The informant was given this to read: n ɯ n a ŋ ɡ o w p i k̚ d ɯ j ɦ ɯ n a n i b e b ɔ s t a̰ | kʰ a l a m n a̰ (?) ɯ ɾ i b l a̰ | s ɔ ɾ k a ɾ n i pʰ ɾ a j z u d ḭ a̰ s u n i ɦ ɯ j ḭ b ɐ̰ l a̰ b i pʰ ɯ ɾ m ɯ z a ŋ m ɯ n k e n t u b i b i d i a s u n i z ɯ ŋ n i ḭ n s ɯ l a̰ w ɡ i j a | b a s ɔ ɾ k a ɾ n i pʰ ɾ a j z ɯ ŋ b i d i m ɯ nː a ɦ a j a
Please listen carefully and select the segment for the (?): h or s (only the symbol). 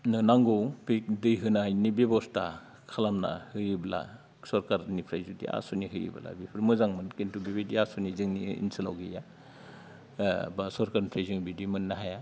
h